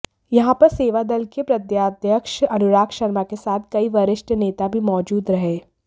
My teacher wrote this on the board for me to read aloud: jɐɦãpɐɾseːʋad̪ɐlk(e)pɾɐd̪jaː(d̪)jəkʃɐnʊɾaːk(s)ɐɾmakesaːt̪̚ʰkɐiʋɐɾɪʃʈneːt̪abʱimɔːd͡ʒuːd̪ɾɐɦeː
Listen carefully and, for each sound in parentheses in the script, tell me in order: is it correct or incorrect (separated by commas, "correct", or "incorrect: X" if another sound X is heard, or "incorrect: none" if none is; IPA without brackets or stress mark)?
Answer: correct, correct, incorrect: ʃ